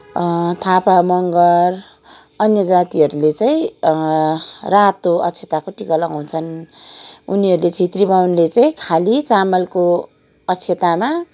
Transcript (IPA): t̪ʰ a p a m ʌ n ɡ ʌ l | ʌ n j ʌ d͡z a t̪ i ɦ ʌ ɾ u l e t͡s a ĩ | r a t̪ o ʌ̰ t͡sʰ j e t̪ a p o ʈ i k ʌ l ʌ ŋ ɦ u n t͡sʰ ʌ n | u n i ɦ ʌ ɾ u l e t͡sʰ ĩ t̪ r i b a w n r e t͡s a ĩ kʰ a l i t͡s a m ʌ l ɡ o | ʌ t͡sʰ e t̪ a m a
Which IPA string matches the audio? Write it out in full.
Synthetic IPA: t̪ʰ a p a m ʌ ŋ ɡ ʌ r | ʌ n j ʌ d͡z a t̪ i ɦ ʌ ɾ u l e t͡s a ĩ | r a t̪ o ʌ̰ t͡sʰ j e t̪ a k o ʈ i k ʌ l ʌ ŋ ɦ u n t͡sʰ ʌ n | u n i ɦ ʌ ɾ u l e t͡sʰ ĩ t̪ r i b a w n l e t͡s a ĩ kʰ a l i t͡s a m ʌ l k o | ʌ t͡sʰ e t̪ a m a